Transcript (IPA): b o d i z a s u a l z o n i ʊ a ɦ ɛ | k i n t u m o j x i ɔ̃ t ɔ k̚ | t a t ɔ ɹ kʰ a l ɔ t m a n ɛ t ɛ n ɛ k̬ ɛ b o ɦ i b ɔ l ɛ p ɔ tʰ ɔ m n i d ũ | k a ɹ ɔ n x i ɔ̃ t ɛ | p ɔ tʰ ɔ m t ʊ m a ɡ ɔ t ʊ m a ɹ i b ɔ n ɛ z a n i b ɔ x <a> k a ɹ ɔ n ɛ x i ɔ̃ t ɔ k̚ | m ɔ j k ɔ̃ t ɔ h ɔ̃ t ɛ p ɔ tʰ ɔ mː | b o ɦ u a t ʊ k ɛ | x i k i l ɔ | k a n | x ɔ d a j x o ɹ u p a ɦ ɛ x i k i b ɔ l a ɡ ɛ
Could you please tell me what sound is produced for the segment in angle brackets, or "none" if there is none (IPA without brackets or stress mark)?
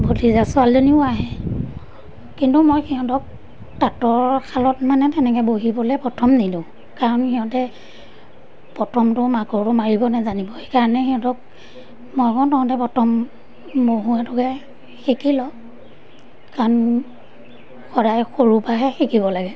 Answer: e